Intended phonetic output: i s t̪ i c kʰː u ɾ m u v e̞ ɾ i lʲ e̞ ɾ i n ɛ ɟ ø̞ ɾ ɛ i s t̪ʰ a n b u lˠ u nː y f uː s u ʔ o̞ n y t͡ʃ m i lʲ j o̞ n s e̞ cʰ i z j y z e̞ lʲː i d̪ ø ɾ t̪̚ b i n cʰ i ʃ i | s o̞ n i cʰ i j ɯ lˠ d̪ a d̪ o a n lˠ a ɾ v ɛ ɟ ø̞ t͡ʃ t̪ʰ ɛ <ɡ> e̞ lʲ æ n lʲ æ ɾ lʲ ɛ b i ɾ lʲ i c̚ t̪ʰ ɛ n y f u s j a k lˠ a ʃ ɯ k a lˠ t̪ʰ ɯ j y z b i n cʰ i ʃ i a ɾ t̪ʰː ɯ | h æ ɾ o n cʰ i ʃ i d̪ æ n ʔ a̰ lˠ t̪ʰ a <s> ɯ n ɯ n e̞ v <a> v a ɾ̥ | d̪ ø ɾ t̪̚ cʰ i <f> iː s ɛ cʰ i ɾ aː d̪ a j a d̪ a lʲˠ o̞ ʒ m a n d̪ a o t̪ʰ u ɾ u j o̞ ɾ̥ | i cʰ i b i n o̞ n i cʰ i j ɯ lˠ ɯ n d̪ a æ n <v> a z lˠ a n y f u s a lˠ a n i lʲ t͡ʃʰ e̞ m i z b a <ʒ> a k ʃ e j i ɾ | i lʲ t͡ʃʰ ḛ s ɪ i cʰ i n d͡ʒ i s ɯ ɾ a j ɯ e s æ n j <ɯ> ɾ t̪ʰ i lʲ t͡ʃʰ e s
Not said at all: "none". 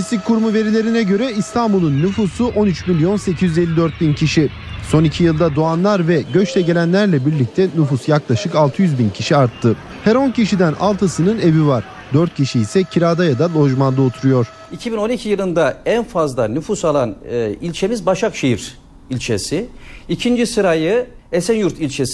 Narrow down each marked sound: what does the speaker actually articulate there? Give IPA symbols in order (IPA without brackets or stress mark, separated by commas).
ɟ, s, i, ʃ, f, ʃ, u